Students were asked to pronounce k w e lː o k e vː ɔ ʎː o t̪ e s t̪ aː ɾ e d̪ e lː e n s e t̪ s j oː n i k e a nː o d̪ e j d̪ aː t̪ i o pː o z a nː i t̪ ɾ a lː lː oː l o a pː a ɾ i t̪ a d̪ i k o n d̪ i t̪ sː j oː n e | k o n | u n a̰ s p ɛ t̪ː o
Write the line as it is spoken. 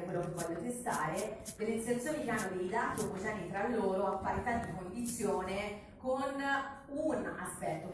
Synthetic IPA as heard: k w e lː o k e vː ɔ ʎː o t̪ e s t̪ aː ɾ e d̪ e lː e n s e t̪ s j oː n i k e a nː o d̪ e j d̪ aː t̪ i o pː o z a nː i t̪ ɾ a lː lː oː ɾ o a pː a ɾ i t̪ a d̪ i k o n d̪ i t̪ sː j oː n e | k o n | u n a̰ s p ɛ t̪ː o